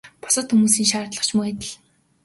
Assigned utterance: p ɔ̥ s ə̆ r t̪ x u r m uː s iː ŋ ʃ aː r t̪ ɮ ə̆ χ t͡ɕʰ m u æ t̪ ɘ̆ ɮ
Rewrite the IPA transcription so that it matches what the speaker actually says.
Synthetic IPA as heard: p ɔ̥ s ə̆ t̪ x u m uː s iː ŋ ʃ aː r t̪ ɮ ə̆ χ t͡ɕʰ m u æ t̪ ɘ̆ ɮ